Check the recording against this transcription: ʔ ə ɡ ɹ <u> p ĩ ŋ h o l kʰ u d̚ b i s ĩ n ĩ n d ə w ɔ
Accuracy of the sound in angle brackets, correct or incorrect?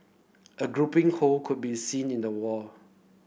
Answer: correct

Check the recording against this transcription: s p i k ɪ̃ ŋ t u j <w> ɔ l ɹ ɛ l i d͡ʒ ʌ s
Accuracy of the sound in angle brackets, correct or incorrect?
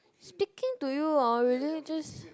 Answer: incorrect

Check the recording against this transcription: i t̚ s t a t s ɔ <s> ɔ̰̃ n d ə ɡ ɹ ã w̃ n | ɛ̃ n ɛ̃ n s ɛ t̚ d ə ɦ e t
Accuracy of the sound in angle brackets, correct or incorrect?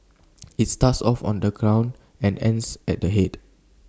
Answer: incorrect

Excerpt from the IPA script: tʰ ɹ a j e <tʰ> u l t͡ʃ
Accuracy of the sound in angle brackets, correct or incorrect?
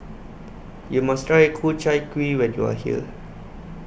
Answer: incorrect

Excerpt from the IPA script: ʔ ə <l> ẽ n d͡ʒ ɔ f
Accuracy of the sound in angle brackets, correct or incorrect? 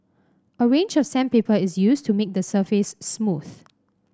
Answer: incorrect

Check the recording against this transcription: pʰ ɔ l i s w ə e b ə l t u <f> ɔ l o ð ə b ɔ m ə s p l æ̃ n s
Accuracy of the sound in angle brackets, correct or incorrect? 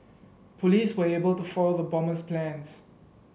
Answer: correct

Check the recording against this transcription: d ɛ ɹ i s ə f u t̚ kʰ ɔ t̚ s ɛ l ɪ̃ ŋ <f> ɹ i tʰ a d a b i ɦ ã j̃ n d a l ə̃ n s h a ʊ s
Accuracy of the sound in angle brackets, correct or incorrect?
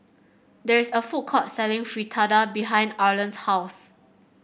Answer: correct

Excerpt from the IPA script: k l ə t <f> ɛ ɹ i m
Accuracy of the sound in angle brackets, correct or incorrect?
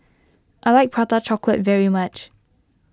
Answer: incorrect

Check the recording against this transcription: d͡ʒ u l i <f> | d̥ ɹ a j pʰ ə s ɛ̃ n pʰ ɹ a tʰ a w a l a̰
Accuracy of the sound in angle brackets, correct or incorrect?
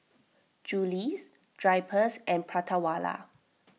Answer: incorrect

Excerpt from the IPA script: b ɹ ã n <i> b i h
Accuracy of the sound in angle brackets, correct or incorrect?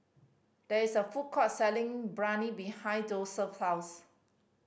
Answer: correct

